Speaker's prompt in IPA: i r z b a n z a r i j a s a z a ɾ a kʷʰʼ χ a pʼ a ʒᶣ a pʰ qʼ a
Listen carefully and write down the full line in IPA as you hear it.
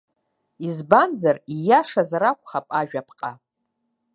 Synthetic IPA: i z b a n z a r i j a ʂ a z a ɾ a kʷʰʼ χ a pʼ a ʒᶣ a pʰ qʼ a